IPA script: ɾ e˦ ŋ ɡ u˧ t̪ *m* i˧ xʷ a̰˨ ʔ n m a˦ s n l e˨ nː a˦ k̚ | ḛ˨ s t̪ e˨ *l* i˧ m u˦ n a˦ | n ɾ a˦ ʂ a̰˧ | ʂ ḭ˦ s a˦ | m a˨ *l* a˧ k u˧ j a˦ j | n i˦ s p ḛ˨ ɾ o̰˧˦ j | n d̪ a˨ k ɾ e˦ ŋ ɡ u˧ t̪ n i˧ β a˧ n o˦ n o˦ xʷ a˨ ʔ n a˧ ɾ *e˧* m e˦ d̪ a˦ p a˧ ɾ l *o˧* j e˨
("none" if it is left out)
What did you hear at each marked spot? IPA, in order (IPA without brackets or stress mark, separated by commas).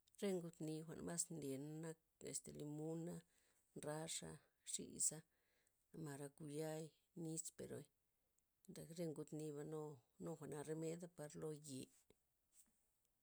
n, l, ɾ, e˧, o˧